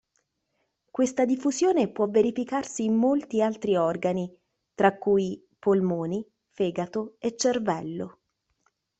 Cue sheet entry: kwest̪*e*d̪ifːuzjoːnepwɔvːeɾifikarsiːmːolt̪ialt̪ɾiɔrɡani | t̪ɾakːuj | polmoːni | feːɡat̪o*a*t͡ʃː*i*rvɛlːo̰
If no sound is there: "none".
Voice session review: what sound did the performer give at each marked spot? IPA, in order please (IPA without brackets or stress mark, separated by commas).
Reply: a, e, e